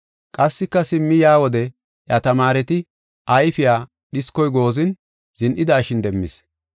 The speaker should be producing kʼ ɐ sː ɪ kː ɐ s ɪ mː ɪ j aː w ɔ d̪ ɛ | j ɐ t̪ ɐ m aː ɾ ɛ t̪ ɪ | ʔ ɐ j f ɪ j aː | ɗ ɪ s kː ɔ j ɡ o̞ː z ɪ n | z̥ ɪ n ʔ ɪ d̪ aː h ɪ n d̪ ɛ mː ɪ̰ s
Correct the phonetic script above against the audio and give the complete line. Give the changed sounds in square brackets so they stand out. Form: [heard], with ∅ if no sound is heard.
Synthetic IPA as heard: kʼ ɐ sː ɪ kː ɐ s ɪ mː ɪ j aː w ɔ d̪ ɛ | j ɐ t̪ ɐ m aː ɾ ɛ t̪ ɪ | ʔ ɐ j f ɪ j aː | ɗ ɪ s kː ɔ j ɡ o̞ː z ɪ n | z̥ ɪ n ʔ ɪ d̪ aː [ʃ] ɪ n d̪ ɛ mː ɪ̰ s

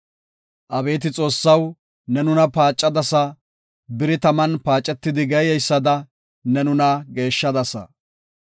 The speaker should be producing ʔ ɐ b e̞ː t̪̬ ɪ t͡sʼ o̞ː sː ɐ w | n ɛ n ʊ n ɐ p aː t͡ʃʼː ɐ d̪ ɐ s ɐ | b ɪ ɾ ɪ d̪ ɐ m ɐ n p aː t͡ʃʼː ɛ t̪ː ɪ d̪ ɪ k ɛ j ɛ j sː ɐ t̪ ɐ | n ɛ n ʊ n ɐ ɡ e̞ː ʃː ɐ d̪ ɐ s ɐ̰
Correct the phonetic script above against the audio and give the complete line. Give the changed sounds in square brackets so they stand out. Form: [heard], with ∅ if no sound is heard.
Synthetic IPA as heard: ʔ ɐ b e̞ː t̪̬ ɪ t͡sʼ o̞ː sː ɐ w | n ɛ n ʊ n ɐ p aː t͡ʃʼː ɐ d̪ ɐ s ɐ | b ɪ ɾ ɪ [t̪] ɐ m ɐ n p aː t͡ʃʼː ɛ t̪ː ɪ d̪ ɪ [ɡ] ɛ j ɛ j sː ɐ [d̪] ɐ | n ɛ n ʊ n ɐ ɡ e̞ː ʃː ɐ d̪ ɐ s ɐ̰

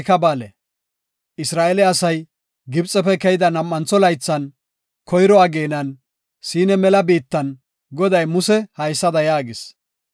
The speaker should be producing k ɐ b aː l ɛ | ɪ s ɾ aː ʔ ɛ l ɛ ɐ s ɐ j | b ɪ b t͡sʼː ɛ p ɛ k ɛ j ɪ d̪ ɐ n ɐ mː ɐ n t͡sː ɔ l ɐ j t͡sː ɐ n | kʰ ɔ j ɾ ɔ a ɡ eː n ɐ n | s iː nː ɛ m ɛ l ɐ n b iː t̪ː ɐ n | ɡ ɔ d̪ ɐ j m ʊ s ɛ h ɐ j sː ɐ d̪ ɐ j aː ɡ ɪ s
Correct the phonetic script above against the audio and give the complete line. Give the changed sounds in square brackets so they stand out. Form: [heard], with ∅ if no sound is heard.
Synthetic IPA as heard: k ɐ b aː l ɛ | ɪ s ɾ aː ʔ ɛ l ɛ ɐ s ɐ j | [ɡ] ɪ b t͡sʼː ɛ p ɛ k ɛ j ɪ d̪ ɐ n ɐ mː ɐ n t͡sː ɔ l ɐ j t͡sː ɐ n | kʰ ɔ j ɾ ɔ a ɡ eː n ɐ n | s iː [n] ɛ m ɛ l ɐ [∅] b iː t̪ː ɐ n | ɡ ɔ d̪ ɐ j m ʊ s ɛ h ɐ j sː ɐ d̪ ɐ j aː ɡ ɪ s

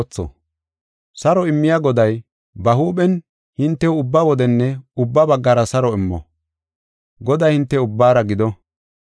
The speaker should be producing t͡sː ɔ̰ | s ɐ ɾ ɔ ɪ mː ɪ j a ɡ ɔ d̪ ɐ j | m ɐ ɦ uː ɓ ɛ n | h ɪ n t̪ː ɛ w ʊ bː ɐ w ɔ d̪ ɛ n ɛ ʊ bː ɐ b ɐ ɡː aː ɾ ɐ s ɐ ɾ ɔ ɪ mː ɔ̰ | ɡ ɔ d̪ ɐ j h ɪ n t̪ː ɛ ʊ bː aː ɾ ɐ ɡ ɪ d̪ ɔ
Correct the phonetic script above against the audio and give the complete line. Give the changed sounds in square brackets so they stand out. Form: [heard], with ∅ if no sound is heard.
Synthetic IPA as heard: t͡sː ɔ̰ | s ɐ ɾ ɔ ɪ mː ɪ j a ɡ ɔ d̪ ɐ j | [b] ɐ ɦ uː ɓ ɛ n | h ɪ n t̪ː ɛ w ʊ bː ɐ w ɔ d̪ ɛ [nː] ɛ ʊ bː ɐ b ɐ ɡː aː ɾ ɐ s ɐ ɾ ɔ ɪ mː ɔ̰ | ɡ ɔ d̪ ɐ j h ɪ n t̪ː ɛ ʊ bː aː ɾ ɐ ɡ ɪ d̪ ɔ

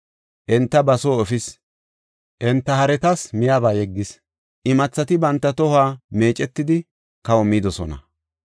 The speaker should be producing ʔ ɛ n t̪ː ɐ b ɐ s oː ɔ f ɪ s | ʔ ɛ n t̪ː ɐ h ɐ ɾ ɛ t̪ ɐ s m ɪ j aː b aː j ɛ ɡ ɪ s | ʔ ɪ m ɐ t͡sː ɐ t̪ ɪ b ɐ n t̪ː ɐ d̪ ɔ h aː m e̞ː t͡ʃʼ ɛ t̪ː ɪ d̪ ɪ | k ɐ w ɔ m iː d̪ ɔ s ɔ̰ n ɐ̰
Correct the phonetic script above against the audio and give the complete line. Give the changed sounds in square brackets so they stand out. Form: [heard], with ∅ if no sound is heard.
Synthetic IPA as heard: ʔ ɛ n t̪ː ɐ b ɐ s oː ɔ f ɪ s | ʔ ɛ n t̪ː ɐ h ɐ ɾ ɛ t̪ ɐ s m ɪ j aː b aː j ɛ [ɡː] ɪ s | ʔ ɪ m ɐ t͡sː ɐ t̪ ɪ b ɐ n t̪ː ɐ [t̪] ɔ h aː m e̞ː t͡ʃʼ ɛ t̪ː ɪ d̪ ɪ | k ɐ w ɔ m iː d̪ ɔ s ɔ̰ n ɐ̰

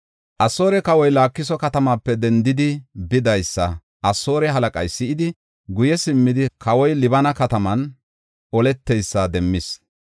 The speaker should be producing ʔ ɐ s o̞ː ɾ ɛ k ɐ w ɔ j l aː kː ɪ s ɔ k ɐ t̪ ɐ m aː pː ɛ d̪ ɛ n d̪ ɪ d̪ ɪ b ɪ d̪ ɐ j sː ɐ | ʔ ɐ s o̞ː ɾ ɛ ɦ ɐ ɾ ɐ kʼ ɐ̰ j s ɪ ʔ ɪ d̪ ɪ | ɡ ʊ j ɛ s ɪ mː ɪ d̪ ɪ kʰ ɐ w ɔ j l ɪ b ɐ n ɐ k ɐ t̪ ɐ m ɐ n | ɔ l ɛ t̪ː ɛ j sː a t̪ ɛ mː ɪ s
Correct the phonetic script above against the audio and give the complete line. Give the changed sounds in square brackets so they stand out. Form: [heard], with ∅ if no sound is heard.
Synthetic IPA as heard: ʔ ɐ s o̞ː ɾ ɛ k ɐ w ɔ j l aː kː ɪ s ɔ k ɐ t̪ ɐ m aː pː ɛ d̪ ɛ n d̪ ɪ d̪ ɪ b ɪ d̪ ɐ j sː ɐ | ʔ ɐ s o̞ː ɾ ɛ ɦ ɐ [l] ɐ kʼ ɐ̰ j s ɪ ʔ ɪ d̪ ɪ | ɡ ʊ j ɛ s ɪ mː ɪ d̪ ɪ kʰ ɐ w ɔ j l ɪ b ɐ n ɐ k ɐ t̪ ɐ m ɐ n | ɔ l ɛ t̪ː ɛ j sː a [d̪] ɛ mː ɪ s

